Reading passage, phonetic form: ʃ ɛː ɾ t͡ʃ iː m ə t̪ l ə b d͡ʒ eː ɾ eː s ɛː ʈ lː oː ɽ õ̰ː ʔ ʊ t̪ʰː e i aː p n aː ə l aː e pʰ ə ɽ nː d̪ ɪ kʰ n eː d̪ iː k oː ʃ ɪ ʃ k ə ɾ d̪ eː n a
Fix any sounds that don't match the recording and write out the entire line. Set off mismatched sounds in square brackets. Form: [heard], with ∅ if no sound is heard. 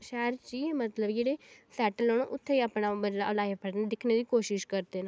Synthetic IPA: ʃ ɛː ɾ t͡ʃ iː m ə t̪ l ə b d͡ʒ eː [ɽ] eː s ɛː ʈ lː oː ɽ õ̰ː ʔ ʊ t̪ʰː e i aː p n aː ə l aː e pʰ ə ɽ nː d̪ ɪ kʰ n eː d̪ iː k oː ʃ ɪ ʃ k ə ɾ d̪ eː n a